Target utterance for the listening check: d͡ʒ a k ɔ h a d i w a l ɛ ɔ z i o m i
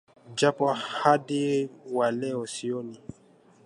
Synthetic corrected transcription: d͡ʒ a p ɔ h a d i w a l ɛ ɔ s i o n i